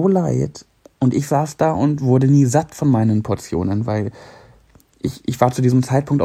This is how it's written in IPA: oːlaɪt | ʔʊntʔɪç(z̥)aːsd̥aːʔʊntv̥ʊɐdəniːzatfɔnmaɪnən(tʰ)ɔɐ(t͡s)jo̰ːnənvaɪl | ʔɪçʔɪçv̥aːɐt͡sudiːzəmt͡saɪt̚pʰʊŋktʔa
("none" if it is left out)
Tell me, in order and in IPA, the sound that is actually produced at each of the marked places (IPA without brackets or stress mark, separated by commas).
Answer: z̥, pʰ, t͡s